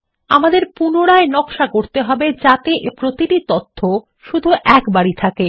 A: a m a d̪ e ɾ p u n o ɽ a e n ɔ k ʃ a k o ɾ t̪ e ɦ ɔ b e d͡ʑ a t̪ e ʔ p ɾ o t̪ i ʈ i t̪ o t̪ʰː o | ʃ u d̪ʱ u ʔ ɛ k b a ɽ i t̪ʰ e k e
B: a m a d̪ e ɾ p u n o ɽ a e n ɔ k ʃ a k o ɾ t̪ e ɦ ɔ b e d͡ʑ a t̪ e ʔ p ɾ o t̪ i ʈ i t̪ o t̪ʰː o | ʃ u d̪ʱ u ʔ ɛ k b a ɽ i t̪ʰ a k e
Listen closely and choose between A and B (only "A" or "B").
B